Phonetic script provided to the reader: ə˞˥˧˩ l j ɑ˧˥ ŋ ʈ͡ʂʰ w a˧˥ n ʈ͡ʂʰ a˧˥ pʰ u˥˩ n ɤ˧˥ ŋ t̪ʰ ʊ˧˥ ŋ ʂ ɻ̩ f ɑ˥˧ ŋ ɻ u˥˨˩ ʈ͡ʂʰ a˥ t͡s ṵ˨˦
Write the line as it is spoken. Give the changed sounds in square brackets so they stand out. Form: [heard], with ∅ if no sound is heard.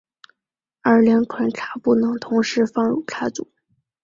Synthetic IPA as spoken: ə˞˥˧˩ l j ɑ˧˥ ŋ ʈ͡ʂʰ w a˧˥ n ʈ͡ʂʰ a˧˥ [p] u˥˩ n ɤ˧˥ ŋ t̪ʰ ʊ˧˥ ŋ ʂ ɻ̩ f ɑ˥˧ ŋ ɻ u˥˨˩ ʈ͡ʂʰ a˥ t͡s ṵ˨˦